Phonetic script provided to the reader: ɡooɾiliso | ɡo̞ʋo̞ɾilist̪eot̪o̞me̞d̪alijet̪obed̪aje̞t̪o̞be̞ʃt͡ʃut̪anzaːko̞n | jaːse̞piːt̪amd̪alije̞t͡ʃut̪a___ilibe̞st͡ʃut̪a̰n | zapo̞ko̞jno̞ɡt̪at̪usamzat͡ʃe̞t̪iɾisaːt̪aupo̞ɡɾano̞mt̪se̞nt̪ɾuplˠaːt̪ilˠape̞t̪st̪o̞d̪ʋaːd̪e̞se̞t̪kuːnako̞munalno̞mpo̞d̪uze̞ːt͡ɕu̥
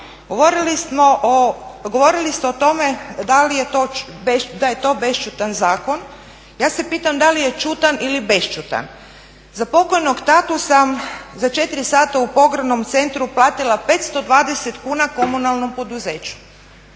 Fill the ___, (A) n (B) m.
A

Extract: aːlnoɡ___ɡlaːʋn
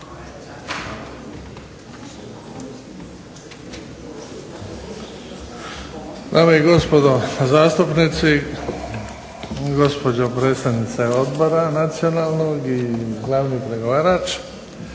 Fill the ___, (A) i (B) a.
A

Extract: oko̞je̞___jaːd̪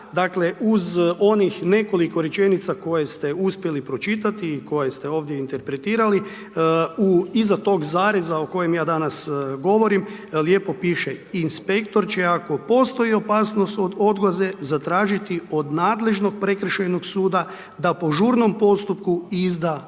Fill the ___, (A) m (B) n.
A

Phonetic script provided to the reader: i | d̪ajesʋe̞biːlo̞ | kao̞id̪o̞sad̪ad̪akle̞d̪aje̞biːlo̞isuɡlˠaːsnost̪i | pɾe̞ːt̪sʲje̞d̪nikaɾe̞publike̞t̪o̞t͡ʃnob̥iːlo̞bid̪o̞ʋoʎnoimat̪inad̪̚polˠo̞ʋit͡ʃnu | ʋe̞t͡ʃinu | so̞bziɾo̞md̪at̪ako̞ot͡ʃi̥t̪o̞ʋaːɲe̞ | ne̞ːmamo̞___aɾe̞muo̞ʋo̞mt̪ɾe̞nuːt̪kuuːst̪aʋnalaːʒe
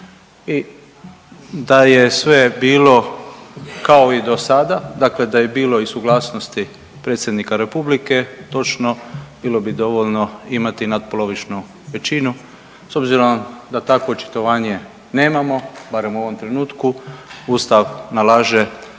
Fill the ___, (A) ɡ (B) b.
B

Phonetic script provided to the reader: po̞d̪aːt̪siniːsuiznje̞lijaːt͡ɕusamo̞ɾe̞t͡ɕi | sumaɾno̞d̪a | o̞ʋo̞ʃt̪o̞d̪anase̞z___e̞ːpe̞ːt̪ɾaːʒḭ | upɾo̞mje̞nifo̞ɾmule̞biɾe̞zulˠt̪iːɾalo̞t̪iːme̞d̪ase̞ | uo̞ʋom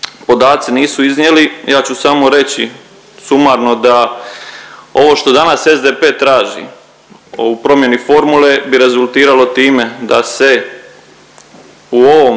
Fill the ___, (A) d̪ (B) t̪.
A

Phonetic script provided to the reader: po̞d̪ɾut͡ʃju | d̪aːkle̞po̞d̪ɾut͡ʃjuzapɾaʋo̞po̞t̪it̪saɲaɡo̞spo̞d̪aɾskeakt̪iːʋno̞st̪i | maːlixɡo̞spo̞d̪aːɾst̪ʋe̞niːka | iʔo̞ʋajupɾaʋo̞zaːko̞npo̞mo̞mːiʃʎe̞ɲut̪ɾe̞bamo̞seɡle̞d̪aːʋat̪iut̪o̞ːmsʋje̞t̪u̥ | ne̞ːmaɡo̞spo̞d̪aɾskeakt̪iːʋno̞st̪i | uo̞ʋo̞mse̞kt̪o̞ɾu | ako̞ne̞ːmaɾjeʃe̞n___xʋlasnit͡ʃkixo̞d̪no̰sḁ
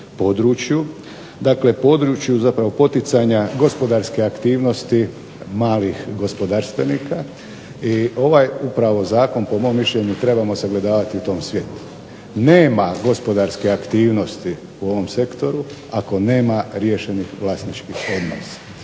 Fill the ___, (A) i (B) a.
A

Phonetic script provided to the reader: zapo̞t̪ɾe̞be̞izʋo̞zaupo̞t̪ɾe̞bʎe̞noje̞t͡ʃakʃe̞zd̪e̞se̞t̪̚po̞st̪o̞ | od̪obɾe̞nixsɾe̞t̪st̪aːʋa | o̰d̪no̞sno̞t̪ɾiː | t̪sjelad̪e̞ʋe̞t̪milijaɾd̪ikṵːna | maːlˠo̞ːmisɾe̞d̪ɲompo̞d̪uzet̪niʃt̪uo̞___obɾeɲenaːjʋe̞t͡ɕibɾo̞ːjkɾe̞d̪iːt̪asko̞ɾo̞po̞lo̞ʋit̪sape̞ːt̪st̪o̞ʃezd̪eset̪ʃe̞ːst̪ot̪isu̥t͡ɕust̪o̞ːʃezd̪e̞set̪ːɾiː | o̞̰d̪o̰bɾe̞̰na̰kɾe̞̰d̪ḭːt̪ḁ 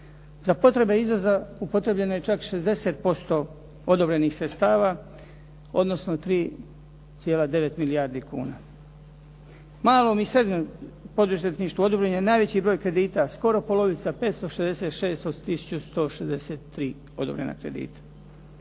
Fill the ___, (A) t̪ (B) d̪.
B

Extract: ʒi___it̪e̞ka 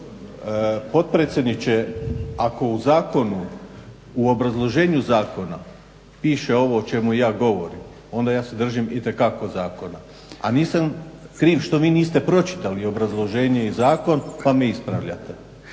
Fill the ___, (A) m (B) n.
A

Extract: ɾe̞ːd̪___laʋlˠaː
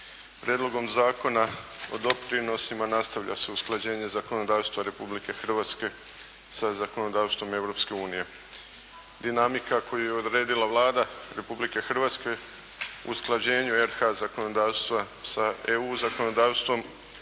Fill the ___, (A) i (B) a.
A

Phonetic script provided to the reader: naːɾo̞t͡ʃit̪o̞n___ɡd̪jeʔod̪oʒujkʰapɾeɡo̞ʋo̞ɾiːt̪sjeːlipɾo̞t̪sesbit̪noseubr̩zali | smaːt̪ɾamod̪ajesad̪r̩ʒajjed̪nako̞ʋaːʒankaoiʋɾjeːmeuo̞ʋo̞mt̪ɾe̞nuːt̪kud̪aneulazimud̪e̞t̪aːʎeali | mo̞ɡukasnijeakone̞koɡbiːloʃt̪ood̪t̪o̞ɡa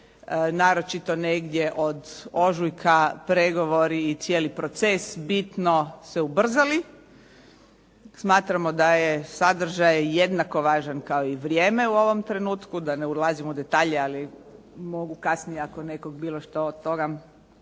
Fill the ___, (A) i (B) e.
B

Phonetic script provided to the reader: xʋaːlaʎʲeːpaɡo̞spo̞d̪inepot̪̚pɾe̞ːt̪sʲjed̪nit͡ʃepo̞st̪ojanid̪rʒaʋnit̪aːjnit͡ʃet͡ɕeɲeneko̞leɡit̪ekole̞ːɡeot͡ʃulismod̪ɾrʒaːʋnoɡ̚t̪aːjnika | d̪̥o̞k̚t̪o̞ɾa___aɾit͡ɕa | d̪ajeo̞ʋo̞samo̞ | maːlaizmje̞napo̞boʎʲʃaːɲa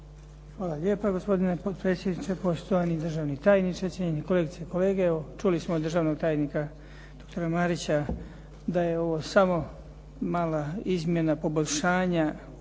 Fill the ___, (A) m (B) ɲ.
A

